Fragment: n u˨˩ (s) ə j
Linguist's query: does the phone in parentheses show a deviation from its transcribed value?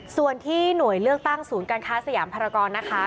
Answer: yes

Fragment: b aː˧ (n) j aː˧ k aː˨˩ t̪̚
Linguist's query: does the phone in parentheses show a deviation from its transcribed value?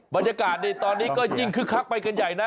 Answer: no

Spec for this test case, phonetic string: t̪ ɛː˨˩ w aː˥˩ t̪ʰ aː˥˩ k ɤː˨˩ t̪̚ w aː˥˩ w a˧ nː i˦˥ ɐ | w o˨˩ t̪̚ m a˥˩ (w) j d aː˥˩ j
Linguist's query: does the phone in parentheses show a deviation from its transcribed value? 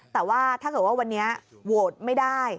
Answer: yes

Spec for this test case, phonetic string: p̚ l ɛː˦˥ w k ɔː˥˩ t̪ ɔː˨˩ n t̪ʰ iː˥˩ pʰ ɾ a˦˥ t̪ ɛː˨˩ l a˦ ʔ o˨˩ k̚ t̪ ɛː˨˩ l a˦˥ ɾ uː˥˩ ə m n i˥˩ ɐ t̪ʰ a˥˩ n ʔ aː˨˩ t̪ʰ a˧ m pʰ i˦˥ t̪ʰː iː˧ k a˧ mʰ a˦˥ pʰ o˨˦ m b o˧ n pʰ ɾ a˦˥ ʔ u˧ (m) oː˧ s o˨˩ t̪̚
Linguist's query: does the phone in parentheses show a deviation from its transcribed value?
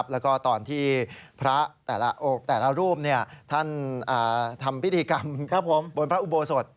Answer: yes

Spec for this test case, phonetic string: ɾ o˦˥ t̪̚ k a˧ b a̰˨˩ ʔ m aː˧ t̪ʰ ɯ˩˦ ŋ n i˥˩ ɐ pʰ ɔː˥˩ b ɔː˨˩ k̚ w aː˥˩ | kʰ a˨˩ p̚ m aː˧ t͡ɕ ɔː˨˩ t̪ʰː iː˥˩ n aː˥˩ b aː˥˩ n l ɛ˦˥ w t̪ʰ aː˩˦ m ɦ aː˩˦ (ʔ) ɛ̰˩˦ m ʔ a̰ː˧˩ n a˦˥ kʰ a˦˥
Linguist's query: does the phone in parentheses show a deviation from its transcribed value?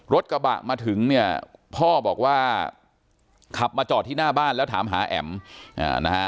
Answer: no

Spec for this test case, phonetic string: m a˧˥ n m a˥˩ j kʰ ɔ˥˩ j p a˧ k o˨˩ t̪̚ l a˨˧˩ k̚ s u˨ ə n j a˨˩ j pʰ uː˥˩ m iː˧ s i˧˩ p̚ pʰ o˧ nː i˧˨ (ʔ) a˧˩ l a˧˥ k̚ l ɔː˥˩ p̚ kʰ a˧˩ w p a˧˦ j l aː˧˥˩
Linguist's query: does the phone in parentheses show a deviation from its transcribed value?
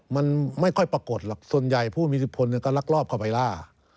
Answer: yes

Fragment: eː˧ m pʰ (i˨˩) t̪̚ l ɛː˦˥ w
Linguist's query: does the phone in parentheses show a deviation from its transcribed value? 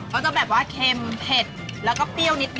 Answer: yes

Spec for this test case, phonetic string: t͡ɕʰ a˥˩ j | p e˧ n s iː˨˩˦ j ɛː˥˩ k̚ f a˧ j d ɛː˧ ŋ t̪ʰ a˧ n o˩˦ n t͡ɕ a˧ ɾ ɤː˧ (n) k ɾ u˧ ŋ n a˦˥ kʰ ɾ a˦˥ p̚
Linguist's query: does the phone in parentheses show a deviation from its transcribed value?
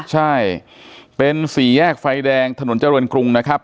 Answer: no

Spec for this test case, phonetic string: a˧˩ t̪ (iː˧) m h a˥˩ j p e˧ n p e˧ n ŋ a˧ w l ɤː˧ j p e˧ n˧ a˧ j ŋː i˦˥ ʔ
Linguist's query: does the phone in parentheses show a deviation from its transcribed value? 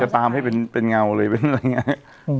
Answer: yes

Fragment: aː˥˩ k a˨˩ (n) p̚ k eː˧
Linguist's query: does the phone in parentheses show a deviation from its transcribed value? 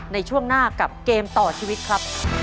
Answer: yes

